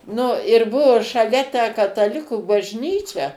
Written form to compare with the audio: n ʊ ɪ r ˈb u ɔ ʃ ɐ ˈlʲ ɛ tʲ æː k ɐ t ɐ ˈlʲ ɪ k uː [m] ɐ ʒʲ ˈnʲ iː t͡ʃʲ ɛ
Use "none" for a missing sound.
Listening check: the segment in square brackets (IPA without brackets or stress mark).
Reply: b